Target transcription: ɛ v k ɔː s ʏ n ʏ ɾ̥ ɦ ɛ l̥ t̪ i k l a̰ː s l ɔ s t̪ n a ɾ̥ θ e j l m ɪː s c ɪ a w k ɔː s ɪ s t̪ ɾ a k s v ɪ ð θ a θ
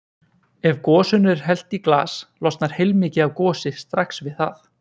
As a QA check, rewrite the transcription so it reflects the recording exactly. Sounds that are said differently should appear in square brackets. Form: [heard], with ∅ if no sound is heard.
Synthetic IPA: ɛ v k ɔː s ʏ n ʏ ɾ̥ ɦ ɛ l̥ t̪ i k l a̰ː s l ɔ s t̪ n a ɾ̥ [h] e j l m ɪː [∅] c ɪ a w k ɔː s ɪ s t̪ ɾ a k s v ɪ ð θ a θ